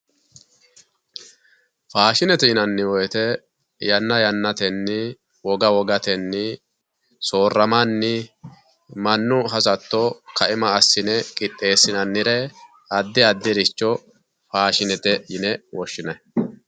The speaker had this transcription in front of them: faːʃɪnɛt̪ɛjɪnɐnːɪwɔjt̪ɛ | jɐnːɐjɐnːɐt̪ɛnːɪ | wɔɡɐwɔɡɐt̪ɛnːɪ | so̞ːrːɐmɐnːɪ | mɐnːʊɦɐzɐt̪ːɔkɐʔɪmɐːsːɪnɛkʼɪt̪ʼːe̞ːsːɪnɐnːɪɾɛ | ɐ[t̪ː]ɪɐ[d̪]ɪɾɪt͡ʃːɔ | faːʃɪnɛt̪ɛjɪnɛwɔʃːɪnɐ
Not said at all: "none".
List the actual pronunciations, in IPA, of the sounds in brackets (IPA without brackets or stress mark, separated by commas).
d̪ː, d̪ː